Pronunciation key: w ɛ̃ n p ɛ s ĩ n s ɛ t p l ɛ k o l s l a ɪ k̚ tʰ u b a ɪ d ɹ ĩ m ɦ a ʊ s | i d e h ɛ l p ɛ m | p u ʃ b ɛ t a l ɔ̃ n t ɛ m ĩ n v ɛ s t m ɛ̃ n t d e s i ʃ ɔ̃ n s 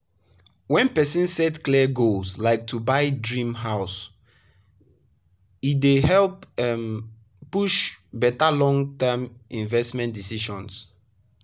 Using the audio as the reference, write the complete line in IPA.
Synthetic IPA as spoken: w ɛ̃ n p ɛ s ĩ n s ɛ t k l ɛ ɡ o l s l a ɪ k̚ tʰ u b a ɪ d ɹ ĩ m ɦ a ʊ s | i d e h ɛ l p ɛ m | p u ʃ b ɛ t a l ɔ̃ ŋ t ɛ m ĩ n v ɛ s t m ɛ̃ n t d i s i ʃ ɔ̃ n s